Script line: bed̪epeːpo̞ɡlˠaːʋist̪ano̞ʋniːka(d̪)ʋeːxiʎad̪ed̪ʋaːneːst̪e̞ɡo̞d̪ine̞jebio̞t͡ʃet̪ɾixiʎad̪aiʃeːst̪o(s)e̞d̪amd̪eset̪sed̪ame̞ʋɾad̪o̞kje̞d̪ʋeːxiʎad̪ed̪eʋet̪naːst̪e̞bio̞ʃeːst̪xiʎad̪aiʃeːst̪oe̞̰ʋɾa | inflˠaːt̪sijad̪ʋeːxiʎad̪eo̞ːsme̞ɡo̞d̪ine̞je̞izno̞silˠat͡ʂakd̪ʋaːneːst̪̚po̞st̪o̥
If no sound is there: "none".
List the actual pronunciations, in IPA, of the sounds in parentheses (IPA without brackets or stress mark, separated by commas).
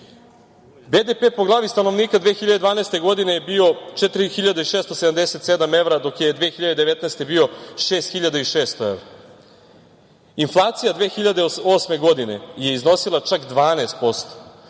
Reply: d̪, s